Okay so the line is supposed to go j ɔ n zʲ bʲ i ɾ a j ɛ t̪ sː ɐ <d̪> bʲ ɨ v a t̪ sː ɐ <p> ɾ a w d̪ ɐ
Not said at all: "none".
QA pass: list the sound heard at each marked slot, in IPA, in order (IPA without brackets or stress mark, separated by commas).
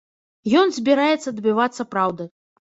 d̪, p